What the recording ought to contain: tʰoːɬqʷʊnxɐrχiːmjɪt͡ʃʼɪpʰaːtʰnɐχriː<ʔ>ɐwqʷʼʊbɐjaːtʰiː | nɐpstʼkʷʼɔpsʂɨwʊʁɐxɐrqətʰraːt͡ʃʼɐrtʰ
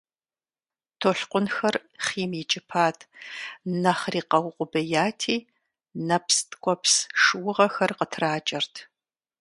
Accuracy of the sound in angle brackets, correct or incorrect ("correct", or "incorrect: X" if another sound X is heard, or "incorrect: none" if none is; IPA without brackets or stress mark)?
incorrect: q